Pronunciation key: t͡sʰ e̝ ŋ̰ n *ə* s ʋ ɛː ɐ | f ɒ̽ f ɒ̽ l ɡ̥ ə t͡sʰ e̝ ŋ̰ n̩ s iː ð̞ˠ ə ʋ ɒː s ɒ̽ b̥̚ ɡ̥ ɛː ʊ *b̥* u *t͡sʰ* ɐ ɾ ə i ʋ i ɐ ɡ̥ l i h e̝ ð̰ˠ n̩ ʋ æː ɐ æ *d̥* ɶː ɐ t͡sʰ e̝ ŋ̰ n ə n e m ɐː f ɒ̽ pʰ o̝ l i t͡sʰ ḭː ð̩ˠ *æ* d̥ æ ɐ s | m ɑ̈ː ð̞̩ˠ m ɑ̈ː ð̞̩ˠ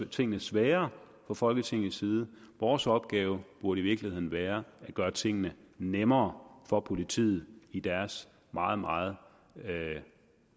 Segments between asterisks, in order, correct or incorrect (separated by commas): correct, correct, incorrect, incorrect, incorrect